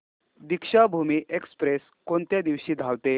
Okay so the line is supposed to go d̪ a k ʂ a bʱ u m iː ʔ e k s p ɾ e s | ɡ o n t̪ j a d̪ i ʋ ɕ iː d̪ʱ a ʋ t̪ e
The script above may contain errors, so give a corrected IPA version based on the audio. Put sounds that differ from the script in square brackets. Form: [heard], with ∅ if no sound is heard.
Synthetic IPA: d̪ [i] k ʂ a bʱ u m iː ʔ e k s p ɾ e s | [k] o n t̪ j a d̪ i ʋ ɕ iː d̪ʱ a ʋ t̪ e